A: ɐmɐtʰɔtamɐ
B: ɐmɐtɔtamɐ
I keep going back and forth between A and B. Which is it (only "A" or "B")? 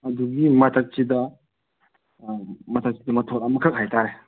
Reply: A